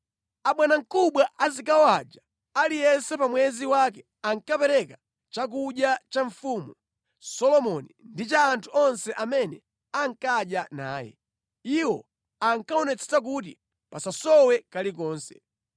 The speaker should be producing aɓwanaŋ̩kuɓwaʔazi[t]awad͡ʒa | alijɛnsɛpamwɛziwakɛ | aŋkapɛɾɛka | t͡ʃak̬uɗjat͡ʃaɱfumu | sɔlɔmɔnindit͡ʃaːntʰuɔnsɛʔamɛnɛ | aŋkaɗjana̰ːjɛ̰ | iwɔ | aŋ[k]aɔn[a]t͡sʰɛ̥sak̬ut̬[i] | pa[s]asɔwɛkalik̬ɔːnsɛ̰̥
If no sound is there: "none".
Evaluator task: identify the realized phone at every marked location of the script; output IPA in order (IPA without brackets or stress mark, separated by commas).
k, k, ɛ, i, s